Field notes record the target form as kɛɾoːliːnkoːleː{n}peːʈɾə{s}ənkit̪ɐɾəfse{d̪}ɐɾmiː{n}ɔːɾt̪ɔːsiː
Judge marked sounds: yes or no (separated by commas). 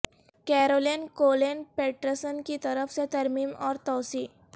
yes, yes, no, no